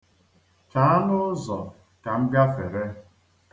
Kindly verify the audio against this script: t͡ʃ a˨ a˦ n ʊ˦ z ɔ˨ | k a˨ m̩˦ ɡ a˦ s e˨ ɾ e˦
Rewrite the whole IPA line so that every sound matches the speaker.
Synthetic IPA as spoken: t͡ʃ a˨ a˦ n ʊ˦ z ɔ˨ | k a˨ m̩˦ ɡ a˦ f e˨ ɾ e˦